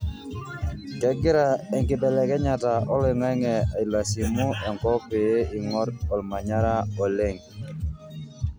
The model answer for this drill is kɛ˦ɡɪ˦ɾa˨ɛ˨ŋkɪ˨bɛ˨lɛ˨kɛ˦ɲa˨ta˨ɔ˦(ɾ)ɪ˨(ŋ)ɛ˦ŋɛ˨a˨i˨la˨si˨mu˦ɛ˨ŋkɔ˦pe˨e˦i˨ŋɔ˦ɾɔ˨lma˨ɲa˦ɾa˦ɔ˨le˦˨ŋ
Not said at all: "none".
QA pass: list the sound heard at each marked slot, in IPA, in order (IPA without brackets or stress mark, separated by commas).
l, ŋ